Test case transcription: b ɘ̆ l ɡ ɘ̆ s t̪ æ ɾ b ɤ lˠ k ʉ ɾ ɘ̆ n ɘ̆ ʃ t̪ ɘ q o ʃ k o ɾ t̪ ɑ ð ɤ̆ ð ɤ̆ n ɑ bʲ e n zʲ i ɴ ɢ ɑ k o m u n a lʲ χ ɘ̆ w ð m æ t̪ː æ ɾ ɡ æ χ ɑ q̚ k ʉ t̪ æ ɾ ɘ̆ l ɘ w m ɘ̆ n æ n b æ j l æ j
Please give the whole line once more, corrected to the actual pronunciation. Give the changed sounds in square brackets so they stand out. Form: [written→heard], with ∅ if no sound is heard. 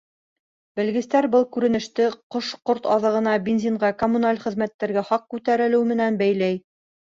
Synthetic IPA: b ɘ̆ l ɡ ɘ̆ s t̪ æ ɾ b ɤ lˠ k ʉ ɾ ɘ̆ n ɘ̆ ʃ t̪ ɘ q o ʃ [k→q] o ɾ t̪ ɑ ð ɤ̆ [ð→ʁ] ɤ̆ n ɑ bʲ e n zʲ i ɴ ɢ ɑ k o m u n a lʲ χ ɘ̆ [w→∅] ð m æ t̪ː æ ɾ ɡ æ χ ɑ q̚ k ʉ t̪ æ ɾ ɘ̆ l ɘ w m ɘ̆ n æ n b æ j l æ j